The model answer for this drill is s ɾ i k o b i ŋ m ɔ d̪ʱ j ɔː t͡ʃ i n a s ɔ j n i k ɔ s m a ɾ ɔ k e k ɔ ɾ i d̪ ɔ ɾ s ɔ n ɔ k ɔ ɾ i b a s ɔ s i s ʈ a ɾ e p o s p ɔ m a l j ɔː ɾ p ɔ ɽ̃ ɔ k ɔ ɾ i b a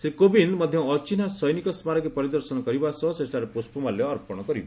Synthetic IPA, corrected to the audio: s ɾ i k o b i n m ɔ d̪ʱ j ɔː t͡ʃ i n a s ɔ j n i k ɔ s m a ɾ ɔ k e p ɔ ɾ i d̪ ɔ ɾ s ɔ n ɔ k ɔ ɾ i b a s ɔ s e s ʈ a ɾ e p o s p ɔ m a l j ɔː ɾ p ɔ ɽ̃ ɔ k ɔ ɾ i b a